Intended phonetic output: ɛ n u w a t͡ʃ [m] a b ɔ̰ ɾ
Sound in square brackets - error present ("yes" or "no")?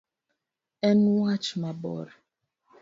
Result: no